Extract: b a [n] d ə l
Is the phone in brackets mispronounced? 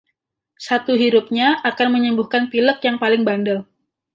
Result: no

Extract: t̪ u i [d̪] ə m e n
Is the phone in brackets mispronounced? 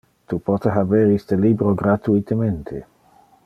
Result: yes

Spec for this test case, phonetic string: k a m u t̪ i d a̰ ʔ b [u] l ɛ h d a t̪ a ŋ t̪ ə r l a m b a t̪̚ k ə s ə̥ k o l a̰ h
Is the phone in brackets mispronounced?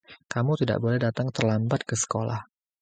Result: yes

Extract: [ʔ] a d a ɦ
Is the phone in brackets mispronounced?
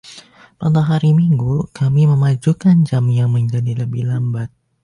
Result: yes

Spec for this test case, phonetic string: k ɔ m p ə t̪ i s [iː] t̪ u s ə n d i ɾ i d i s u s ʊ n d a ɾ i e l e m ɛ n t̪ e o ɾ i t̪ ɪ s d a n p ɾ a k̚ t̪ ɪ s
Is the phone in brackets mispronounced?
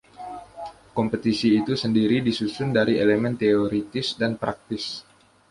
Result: no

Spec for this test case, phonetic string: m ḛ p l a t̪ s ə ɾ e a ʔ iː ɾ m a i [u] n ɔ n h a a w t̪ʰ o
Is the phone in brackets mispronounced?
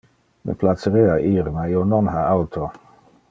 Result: yes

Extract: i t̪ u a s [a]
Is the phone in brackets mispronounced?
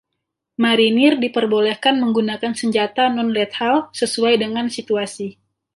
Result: yes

